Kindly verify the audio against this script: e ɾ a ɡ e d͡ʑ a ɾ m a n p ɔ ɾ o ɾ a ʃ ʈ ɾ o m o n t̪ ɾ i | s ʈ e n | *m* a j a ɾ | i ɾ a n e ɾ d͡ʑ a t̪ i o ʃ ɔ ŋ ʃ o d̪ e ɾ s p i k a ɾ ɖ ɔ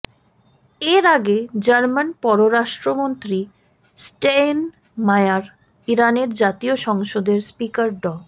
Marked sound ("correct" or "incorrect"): correct